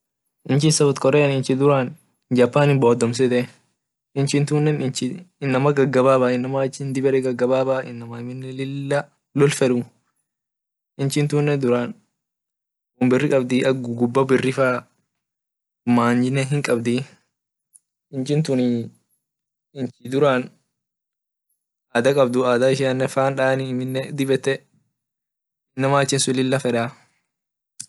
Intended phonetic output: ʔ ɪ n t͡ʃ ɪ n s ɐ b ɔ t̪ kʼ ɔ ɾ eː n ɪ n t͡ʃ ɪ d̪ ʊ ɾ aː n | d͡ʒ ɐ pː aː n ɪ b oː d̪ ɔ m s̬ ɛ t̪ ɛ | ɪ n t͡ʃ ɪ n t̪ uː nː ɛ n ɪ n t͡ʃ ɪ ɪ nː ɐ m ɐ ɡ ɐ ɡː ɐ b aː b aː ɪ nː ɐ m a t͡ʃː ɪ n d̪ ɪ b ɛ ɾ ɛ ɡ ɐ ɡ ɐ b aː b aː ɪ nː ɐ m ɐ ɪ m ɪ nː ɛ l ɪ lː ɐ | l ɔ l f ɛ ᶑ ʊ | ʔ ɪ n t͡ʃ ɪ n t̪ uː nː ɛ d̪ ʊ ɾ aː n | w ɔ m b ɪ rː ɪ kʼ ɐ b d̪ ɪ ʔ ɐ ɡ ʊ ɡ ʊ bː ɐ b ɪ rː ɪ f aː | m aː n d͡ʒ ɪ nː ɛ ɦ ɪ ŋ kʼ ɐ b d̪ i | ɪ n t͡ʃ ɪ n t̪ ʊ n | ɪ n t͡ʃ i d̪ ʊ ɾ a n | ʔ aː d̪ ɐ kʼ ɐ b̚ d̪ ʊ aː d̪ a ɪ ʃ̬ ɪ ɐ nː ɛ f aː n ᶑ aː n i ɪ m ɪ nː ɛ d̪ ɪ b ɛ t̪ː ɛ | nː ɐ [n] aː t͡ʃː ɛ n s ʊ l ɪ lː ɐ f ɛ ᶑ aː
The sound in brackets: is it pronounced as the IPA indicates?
no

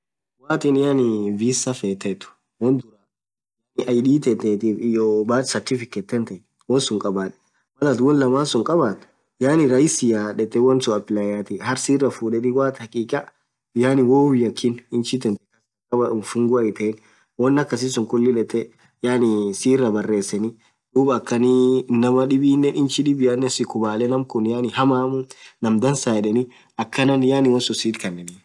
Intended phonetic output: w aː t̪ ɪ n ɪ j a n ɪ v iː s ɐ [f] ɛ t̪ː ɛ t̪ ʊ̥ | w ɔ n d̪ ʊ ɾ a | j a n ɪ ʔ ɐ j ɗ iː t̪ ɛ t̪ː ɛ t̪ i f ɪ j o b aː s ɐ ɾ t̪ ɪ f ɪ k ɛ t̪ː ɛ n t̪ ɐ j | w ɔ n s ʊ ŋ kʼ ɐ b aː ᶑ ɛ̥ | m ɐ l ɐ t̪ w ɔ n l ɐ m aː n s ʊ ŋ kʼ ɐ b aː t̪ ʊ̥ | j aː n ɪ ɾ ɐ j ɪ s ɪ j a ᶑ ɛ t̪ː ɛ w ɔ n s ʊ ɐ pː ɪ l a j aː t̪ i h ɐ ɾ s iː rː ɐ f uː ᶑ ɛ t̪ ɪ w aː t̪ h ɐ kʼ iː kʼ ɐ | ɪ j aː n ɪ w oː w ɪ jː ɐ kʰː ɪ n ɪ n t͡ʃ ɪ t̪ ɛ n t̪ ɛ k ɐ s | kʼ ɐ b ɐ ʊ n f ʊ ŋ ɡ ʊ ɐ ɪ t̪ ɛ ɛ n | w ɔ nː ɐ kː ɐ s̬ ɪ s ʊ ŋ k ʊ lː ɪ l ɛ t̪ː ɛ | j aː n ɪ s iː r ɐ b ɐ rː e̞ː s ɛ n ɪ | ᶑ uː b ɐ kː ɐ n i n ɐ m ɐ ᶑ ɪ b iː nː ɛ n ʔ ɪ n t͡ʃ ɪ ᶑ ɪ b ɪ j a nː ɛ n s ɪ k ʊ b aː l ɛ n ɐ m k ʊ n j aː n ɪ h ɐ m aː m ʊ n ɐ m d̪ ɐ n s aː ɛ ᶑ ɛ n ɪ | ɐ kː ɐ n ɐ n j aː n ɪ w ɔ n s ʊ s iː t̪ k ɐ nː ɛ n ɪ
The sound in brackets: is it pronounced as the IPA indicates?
yes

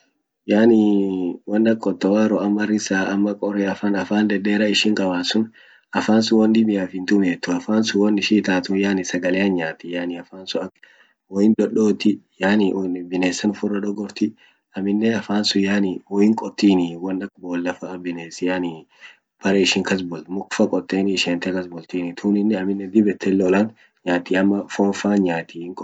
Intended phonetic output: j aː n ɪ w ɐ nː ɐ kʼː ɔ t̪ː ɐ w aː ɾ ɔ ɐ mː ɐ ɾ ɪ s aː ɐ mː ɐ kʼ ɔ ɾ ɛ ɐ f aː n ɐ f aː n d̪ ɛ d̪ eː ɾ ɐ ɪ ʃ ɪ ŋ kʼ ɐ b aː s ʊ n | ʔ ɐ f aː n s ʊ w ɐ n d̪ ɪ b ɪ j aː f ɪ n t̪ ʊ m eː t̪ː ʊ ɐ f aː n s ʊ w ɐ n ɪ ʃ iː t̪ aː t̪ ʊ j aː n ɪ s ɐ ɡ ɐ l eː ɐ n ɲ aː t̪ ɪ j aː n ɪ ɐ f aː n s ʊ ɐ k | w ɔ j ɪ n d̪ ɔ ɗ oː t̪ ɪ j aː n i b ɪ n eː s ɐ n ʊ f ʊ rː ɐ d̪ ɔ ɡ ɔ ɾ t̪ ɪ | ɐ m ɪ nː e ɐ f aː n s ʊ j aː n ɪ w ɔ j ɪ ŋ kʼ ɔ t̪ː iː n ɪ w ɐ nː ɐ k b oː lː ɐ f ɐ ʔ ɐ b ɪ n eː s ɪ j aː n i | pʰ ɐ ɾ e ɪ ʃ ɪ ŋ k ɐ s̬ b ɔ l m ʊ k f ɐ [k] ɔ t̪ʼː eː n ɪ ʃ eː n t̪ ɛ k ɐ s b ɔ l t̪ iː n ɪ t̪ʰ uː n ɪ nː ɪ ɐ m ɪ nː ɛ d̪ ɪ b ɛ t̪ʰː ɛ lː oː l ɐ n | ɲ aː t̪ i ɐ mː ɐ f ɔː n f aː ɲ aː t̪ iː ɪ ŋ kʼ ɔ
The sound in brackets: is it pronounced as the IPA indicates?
no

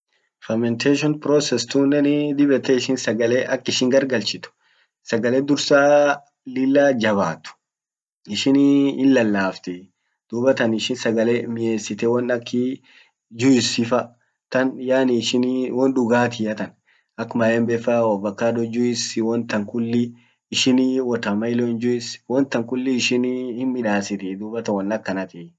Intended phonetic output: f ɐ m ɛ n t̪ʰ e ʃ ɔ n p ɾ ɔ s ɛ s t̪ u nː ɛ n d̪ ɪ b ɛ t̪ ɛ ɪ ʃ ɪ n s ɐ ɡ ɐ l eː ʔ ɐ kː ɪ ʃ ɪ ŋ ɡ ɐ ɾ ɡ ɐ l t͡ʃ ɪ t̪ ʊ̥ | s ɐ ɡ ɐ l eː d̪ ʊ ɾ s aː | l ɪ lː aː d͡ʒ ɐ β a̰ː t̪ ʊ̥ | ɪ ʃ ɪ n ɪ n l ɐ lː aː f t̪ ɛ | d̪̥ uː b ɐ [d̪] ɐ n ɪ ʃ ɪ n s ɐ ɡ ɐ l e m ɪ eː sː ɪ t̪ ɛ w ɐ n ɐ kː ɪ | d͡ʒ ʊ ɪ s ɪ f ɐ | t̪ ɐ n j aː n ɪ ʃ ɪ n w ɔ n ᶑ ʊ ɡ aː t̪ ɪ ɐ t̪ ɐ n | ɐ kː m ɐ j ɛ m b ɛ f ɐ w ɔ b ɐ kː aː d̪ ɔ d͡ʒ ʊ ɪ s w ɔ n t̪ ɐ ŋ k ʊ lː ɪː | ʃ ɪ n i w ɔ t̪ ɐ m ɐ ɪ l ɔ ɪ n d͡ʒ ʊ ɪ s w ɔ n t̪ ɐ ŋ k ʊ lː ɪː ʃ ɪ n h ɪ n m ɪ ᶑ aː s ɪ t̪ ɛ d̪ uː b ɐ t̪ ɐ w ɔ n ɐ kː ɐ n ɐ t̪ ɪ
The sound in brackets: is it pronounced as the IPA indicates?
no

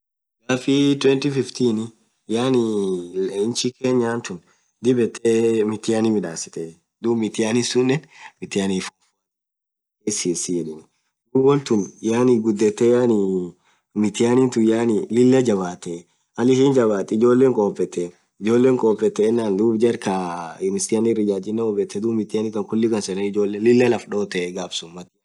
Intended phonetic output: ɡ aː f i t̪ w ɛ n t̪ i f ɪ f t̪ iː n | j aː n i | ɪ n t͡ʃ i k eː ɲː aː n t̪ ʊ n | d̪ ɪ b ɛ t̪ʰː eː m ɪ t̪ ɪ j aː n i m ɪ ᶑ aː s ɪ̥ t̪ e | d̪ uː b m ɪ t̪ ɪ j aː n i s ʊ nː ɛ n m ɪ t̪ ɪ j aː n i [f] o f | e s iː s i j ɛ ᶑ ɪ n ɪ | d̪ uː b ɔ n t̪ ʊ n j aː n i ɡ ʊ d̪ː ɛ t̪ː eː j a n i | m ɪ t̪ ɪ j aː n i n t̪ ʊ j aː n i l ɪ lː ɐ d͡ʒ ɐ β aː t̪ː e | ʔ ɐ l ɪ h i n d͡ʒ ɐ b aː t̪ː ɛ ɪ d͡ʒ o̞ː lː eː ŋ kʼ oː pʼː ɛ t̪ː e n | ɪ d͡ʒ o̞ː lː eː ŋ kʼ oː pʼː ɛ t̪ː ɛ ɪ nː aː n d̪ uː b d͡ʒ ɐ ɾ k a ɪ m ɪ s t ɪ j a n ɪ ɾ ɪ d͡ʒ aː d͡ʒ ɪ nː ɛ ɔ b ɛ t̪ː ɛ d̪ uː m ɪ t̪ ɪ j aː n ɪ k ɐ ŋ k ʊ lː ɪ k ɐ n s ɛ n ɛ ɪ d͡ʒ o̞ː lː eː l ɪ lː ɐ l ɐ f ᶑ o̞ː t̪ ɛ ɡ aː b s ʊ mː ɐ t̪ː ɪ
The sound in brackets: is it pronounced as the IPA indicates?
yes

